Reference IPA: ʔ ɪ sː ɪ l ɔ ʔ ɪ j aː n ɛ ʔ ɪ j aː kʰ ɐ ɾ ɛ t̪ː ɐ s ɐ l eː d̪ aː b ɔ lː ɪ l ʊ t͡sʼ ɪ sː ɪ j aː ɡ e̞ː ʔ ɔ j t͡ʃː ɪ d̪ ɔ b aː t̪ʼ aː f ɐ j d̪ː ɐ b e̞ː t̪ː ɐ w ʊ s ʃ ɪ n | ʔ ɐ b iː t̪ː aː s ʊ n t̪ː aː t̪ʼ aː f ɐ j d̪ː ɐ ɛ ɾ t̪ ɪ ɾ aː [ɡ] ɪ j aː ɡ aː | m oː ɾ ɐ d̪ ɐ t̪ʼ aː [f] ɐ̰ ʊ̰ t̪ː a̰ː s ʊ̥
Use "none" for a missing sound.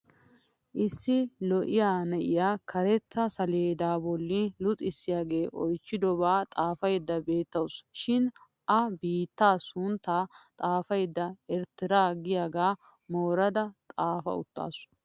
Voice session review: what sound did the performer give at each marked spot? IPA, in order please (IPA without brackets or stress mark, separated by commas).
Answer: ɡ, f